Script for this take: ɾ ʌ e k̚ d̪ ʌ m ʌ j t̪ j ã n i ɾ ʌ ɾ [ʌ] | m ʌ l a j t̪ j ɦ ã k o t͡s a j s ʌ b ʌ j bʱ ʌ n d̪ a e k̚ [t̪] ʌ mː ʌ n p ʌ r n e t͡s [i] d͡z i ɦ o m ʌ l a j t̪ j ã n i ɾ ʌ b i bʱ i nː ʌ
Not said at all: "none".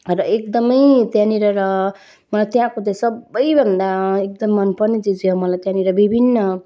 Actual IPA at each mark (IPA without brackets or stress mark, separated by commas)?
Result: ʌ, d̪, i